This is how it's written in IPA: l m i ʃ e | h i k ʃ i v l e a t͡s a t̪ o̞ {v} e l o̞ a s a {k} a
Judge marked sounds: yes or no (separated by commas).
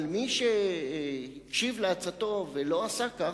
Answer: yes, yes